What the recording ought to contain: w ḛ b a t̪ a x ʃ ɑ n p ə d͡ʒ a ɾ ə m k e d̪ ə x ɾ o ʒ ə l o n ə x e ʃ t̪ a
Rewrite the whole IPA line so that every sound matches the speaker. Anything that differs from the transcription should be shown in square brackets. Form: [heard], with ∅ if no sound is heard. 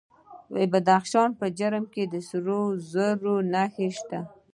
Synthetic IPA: w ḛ b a [d̪] a x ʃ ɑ n p ə d͡ʒ a ɾ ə m k e d̪ ə [s] ɾ o [z] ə [ɾ] o n [a] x e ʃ t̪ a